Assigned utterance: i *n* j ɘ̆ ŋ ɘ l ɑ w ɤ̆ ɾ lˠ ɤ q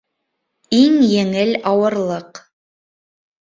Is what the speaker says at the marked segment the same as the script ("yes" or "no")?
no